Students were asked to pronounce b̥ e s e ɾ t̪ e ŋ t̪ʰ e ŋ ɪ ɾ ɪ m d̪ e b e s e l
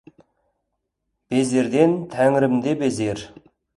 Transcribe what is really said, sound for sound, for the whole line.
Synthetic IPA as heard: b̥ e z e ɾ d̪ e n t̪ʰ æ ŋ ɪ ɾ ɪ m d̪ e b e z e ɾ